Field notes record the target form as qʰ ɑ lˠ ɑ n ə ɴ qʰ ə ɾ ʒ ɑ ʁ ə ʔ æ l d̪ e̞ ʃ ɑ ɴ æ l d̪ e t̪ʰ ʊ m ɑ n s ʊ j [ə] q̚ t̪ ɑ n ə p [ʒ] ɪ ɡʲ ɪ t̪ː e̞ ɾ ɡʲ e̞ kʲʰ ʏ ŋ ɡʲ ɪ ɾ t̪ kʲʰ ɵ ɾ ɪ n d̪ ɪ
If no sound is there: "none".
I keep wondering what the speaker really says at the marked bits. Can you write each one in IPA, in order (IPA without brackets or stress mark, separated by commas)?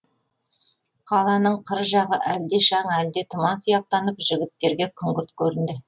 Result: ɑ, ʒ